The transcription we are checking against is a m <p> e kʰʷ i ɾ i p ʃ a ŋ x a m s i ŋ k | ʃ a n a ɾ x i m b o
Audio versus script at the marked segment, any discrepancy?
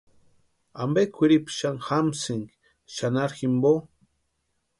yes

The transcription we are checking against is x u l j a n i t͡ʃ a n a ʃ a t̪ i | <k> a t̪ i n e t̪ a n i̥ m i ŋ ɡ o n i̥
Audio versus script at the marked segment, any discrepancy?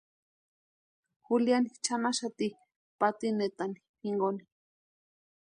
yes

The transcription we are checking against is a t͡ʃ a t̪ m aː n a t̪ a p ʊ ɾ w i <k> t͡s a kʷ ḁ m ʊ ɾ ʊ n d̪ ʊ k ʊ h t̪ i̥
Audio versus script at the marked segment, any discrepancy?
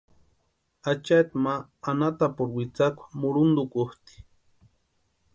yes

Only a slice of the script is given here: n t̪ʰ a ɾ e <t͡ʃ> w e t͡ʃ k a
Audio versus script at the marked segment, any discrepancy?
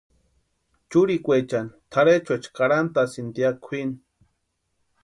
no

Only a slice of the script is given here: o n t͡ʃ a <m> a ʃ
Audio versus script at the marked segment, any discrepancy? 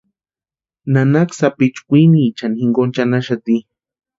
yes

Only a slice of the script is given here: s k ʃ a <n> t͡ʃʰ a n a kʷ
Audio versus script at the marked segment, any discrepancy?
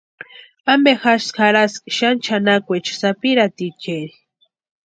no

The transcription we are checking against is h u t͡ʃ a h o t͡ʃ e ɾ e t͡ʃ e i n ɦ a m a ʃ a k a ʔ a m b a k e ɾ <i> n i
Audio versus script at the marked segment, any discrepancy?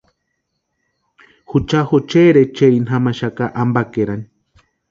yes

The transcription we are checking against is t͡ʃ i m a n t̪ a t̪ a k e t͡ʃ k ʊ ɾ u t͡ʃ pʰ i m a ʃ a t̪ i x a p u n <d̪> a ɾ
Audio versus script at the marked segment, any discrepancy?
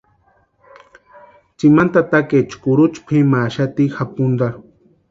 no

